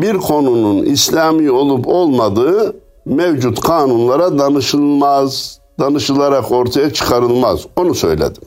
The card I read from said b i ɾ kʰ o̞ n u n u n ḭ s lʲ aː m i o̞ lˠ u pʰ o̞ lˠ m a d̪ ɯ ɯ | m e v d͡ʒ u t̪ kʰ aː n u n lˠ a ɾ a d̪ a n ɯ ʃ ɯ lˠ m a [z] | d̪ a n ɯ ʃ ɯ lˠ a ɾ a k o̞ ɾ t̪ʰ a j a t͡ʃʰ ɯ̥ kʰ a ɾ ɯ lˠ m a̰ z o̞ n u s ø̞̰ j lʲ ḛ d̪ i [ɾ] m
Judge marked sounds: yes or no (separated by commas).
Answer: yes, no